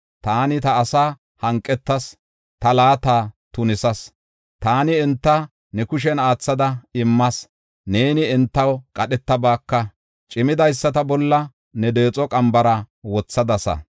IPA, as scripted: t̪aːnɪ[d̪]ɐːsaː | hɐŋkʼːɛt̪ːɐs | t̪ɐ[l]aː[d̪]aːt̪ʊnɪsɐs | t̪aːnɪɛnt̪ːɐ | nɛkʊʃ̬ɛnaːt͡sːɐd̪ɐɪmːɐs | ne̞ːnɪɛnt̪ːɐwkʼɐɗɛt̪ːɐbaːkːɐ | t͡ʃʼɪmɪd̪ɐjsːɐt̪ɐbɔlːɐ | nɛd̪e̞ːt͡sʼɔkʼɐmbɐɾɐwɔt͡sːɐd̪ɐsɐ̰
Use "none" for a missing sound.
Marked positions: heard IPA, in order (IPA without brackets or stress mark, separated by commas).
t̪, l, t̪